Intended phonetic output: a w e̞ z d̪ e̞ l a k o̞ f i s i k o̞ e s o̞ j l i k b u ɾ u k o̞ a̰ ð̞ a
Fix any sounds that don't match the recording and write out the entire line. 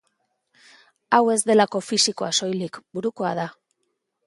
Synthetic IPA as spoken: a w e̞ z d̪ e̞ l a k o̞ f i s i k o̞ a s o̞ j l i k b u ɾ u k o̞ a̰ ð̞ a